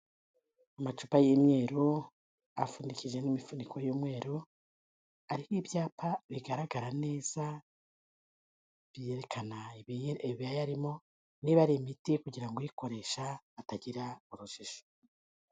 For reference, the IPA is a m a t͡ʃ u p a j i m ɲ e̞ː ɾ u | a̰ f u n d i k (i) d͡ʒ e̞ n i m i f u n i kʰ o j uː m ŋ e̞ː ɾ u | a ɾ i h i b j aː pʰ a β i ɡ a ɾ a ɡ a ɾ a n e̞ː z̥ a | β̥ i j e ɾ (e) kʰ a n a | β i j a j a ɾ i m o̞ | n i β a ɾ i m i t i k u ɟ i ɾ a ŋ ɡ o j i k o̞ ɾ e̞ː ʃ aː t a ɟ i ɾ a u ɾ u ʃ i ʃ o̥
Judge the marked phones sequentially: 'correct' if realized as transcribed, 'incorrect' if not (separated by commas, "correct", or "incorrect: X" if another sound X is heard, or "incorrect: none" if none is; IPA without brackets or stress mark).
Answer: correct, correct